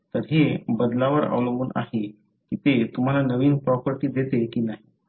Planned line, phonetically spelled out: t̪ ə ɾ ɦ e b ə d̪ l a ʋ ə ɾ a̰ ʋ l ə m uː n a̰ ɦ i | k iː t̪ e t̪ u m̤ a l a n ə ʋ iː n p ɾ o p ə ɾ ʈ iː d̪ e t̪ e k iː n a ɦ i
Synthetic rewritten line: t̪ ə ɾ ɦ e b ə d̪ l a ʋ ə ɾ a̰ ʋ l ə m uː n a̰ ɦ e | k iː t̪ e t̪ u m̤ a l a n ə ʋ iː n p ɾ ɔ p ə ɾ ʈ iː d̪ e t̪ e k iː n a ɦ i